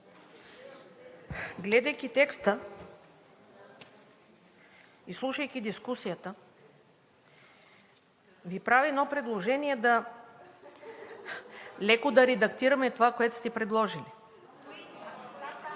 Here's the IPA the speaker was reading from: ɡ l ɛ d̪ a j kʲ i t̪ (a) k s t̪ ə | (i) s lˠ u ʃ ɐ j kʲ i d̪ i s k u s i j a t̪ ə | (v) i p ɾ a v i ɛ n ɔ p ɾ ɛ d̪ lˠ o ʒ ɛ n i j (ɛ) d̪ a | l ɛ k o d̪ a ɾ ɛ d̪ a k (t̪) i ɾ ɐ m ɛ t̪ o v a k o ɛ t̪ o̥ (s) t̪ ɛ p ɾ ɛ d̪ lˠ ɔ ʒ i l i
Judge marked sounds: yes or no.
no, yes, yes, yes, yes, yes

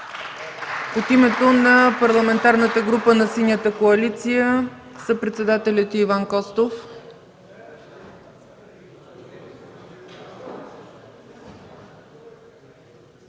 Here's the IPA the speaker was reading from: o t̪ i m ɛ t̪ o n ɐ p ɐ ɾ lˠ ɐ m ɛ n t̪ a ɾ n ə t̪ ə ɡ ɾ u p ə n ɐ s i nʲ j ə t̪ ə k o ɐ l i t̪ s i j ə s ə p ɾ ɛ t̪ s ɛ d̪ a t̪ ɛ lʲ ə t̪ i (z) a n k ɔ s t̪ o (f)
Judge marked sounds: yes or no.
no, yes

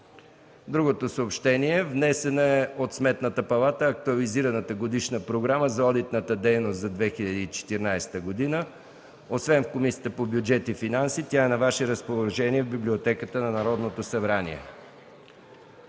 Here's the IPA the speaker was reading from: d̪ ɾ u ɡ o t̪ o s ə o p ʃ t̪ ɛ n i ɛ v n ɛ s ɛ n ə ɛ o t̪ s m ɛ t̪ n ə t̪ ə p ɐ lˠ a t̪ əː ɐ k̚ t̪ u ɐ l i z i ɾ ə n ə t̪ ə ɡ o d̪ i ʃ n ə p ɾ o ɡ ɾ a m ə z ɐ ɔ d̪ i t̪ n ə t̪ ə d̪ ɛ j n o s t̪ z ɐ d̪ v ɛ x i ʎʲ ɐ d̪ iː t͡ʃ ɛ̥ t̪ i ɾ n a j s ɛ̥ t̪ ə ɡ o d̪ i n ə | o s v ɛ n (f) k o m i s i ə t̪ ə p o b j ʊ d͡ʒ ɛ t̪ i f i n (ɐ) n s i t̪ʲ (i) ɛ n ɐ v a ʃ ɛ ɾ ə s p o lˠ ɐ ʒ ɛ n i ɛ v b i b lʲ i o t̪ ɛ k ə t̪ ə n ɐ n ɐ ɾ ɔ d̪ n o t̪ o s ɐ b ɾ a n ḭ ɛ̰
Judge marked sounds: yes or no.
yes, no, no

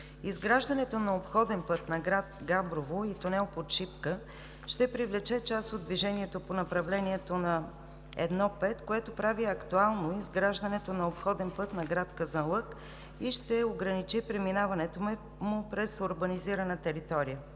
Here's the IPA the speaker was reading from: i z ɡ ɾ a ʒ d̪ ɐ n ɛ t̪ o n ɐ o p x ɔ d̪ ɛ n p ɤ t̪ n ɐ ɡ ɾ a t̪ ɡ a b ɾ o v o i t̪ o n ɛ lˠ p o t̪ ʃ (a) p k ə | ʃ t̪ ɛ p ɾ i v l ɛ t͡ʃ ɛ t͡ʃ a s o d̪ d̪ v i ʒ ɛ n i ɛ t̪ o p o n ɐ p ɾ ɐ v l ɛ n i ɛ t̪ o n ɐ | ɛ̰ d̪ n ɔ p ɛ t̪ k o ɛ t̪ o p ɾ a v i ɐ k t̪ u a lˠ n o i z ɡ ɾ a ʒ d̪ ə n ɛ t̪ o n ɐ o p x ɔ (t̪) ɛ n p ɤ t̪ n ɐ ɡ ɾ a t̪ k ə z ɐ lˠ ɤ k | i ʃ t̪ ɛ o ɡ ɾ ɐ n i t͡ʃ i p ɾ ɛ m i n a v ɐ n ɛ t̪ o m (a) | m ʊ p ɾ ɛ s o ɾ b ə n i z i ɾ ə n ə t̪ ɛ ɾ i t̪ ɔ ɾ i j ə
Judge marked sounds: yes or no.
no, no, no

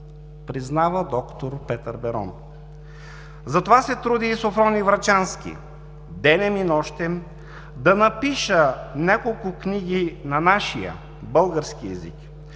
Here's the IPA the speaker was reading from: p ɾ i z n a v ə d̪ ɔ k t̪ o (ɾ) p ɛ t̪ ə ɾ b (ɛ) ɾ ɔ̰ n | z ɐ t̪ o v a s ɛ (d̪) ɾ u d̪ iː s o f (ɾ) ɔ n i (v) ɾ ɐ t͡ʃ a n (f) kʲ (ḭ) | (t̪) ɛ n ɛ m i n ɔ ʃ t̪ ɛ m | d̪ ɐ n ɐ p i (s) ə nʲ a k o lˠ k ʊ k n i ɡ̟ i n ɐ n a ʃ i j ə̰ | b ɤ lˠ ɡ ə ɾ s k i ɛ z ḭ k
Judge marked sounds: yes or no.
yes, yes, no, yes, yes, no, yes, no, no

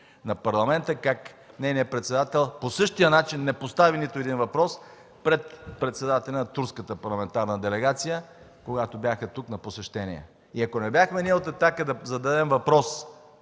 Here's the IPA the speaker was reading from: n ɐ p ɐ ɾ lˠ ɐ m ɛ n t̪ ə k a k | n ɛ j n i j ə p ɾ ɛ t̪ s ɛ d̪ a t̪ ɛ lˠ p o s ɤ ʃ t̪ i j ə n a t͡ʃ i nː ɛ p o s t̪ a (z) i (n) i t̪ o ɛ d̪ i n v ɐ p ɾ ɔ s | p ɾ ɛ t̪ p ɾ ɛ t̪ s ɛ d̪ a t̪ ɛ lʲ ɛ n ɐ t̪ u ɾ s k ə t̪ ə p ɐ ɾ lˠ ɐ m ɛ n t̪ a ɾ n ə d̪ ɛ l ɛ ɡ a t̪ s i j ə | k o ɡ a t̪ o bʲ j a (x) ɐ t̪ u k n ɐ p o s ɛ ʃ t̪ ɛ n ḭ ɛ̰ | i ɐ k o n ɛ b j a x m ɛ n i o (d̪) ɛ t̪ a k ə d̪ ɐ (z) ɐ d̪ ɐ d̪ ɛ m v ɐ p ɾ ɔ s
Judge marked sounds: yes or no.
no, yes, yes, no, yes

